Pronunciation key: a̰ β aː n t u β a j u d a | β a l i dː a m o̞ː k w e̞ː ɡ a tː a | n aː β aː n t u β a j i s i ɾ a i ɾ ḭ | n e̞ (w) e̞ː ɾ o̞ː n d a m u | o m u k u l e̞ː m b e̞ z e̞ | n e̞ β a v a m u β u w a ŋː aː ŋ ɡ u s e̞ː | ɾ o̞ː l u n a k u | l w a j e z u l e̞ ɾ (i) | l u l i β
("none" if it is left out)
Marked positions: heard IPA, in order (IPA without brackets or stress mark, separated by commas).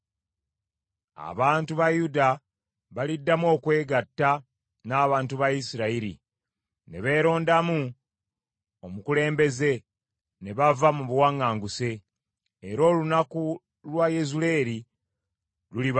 β, i